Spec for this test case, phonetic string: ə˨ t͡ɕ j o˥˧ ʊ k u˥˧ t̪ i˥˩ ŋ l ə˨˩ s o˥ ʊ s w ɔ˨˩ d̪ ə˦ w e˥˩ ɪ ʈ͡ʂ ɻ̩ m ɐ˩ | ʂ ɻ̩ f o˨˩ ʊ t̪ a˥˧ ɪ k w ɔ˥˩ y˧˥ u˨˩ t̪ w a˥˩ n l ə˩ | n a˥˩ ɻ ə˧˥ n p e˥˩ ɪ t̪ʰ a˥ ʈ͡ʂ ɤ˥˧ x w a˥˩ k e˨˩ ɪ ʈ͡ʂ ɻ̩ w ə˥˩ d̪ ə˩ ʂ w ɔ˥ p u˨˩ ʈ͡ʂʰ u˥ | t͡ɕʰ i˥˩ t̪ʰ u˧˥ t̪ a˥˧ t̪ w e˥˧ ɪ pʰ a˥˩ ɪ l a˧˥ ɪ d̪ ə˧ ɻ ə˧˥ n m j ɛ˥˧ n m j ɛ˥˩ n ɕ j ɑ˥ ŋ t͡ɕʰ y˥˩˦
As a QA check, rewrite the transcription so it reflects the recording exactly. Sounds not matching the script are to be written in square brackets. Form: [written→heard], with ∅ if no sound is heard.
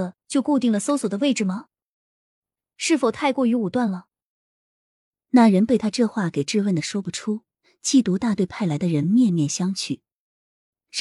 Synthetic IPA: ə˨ t͡ɕ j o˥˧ ʊ k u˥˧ t̪ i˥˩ ŋ l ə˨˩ s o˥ ʊ s w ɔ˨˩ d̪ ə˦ w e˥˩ ɪ ʈ͡ʂ ɻ̩ m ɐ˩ | ʂ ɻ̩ f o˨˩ ʊ [t̪→t̪ʰ] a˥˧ ɪ k w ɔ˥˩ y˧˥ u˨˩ t̪ w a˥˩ n l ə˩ | n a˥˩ ɻ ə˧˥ n p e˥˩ ɪ t̪ʰ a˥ ʈ͡ʂ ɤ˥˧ x w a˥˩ k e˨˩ ɪ ʈ͡ʂ ɻ̩ w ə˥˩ d̪ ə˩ ʂ w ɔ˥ p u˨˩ ʈ͡ʂʰ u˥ | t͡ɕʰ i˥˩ [t̪ʰ→t̪] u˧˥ t̪ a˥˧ t̪ w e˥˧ ɪ pʰ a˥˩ ɪ l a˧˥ ɪ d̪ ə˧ ɻ ə˧˥ n m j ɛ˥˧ n m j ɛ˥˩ n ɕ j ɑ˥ ŋ t͡ɕʰ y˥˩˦